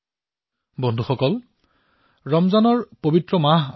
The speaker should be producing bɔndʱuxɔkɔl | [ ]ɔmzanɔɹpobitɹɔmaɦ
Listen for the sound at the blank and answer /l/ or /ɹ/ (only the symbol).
ɹ